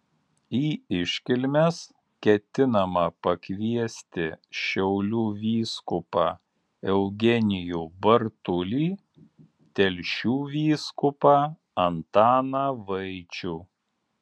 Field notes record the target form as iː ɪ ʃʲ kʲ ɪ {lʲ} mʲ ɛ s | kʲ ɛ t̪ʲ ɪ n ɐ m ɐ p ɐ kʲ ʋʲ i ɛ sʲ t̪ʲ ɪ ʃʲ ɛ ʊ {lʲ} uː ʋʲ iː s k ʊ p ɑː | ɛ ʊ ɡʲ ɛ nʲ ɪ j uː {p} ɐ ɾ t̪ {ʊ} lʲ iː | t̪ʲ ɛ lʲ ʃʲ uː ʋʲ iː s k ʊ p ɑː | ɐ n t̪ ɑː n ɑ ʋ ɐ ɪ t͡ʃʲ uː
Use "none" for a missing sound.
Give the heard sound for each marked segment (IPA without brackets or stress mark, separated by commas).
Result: lʲ, lʲ, b, ʊ